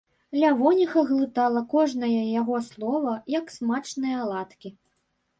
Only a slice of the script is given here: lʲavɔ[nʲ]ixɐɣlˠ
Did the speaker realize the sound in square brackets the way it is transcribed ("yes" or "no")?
yes